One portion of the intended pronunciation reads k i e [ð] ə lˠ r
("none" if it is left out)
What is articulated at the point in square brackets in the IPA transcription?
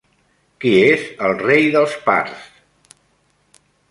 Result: z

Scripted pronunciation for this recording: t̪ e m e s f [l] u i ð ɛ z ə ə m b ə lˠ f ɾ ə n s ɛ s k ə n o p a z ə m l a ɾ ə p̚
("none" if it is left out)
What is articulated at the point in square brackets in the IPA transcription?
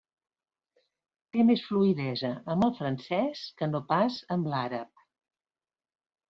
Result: l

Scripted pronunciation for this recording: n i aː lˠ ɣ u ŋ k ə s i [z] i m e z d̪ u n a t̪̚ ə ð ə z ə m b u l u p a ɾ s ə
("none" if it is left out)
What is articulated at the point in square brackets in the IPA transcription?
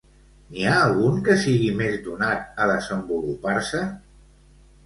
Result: ɣ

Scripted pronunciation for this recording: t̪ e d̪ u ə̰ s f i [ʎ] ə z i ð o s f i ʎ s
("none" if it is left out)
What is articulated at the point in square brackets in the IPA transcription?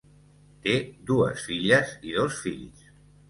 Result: ʎ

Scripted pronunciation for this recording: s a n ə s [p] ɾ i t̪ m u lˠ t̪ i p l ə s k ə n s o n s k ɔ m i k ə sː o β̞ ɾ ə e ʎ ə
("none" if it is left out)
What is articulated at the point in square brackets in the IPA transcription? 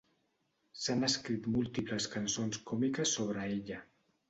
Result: k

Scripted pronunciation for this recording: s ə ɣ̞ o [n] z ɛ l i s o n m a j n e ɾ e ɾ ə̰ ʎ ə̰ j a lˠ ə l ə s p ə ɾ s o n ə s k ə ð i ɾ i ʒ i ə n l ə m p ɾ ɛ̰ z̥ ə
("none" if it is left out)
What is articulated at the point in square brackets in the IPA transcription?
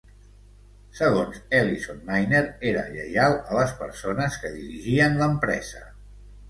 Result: n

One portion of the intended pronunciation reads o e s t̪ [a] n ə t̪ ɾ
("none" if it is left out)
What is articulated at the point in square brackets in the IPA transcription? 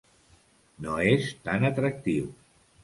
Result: a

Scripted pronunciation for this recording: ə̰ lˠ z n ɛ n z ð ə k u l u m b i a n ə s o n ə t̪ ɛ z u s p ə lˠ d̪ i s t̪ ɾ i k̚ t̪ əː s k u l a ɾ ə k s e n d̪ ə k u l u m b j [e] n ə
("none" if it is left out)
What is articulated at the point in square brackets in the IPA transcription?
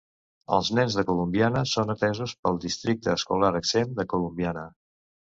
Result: a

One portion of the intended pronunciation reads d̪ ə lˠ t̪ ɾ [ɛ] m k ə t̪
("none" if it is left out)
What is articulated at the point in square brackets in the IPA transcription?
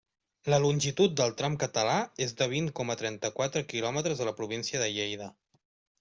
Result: a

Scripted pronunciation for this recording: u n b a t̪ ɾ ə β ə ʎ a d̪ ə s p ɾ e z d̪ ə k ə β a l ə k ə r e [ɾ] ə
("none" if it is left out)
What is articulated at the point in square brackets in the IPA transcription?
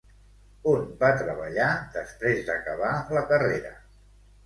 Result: ɾ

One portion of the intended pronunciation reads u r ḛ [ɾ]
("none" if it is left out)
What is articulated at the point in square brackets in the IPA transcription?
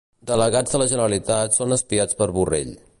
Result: ʎ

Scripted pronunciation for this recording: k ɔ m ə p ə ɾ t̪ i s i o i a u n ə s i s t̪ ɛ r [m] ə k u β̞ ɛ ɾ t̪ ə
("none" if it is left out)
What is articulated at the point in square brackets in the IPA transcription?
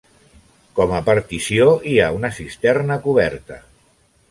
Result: n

